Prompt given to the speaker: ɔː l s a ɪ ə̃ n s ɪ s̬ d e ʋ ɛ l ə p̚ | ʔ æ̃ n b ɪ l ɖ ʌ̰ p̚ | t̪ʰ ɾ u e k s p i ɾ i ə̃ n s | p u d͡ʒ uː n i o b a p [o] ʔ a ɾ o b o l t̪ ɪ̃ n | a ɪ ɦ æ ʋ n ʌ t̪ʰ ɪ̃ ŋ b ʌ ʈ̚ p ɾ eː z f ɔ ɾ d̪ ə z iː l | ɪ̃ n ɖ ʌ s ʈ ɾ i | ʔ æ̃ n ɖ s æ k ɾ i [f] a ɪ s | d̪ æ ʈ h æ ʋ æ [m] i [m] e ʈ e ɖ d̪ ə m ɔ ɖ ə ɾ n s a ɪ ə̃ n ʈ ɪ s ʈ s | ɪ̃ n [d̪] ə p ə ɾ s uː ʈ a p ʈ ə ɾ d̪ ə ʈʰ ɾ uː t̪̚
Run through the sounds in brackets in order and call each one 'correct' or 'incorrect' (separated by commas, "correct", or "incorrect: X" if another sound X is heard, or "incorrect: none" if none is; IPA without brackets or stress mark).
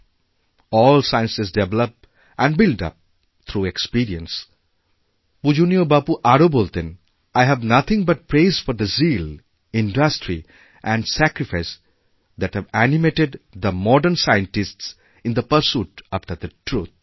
incorrect: u, correct, incorrect: n, correct, correct